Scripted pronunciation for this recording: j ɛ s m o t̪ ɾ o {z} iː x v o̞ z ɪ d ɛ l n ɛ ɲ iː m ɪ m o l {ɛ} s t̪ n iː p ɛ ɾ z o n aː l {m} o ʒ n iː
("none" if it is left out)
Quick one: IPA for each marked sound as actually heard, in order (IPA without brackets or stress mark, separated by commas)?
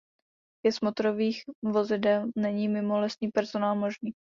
v, ɛ, m